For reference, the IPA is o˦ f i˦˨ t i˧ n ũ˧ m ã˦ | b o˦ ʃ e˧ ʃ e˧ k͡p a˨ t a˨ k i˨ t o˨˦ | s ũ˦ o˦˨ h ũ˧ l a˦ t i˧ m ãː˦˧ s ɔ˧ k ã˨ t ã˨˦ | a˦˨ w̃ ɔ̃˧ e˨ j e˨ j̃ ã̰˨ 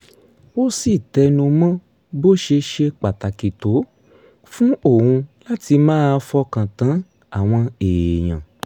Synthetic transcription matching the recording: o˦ s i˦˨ t ɛ˧ n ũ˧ m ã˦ | b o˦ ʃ e˧ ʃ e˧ k͡p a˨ t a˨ k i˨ t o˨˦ | f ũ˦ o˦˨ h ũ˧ l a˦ t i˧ m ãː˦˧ f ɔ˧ k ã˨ t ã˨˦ | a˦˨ w̃ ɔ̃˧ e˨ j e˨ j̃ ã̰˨